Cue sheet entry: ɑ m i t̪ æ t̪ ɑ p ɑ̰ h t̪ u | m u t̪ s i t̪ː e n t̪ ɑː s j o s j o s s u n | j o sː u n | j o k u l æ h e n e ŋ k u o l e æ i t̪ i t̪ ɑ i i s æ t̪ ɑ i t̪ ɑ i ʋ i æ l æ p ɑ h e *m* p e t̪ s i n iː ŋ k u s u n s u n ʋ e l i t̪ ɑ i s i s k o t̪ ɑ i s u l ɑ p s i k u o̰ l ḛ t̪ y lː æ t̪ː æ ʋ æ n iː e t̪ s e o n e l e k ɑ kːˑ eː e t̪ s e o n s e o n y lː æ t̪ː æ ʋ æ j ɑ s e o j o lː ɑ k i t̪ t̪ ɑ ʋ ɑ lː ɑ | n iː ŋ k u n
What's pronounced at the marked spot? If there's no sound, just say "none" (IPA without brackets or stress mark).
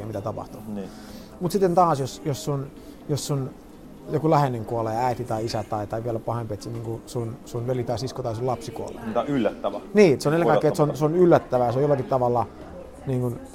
m